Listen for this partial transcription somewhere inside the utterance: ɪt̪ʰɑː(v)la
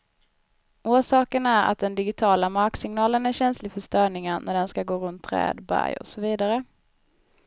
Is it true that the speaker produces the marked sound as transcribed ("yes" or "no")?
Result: no